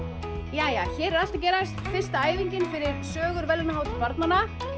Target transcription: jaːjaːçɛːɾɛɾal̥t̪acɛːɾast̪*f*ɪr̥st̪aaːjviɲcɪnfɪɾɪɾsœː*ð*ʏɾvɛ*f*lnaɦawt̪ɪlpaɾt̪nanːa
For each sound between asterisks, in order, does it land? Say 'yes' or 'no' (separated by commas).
yes, no, no